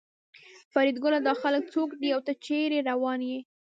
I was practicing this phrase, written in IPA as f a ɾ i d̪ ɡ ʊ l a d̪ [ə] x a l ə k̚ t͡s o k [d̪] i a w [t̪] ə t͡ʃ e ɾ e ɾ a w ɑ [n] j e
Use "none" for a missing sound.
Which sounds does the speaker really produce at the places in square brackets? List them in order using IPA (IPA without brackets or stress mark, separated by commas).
ɑ, d̪, t̪, n